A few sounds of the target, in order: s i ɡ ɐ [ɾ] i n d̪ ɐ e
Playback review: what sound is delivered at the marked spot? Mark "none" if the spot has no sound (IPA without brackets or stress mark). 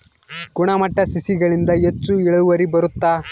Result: ɭ